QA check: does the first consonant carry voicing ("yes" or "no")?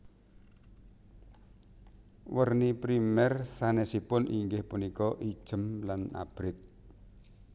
yes